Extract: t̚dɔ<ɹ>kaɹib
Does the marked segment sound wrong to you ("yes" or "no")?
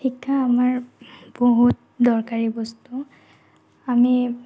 no